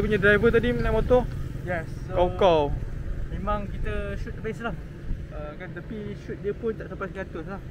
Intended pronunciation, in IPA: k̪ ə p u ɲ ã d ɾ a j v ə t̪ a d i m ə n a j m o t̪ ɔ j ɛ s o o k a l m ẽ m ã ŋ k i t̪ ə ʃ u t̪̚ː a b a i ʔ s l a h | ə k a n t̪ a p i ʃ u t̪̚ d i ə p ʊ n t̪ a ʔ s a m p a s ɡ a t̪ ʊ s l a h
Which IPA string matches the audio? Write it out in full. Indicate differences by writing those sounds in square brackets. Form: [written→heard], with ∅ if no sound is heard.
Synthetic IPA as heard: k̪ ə p u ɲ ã d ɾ a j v ə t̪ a d i m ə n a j m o t̪ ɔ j ɛ s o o k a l m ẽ m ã ŋ k i t̪ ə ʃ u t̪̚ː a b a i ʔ s l a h | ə k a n t̪ a p i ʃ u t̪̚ d i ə p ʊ n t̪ a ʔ s a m p a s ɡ a t̪ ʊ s l a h